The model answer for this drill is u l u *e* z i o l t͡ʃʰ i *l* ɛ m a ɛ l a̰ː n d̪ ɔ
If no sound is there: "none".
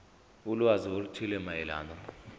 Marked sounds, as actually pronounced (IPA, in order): a, l

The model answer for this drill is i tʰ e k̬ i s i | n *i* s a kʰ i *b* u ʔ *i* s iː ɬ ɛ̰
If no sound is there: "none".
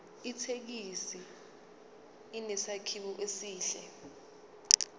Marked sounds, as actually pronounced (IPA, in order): ɛ, ɓ, e

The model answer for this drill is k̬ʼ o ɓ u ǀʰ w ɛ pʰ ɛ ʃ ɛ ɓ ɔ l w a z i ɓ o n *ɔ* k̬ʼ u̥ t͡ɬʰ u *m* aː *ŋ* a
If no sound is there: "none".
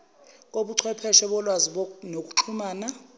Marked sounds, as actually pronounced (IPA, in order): o, m, n

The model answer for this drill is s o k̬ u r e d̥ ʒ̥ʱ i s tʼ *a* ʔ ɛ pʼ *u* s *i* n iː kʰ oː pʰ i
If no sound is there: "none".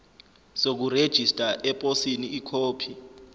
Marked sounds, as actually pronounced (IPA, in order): a, o, i

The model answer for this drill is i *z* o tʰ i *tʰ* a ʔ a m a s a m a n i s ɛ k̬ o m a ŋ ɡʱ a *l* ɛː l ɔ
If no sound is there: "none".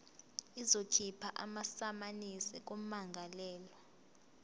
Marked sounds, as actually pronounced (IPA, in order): z, pʰ, l

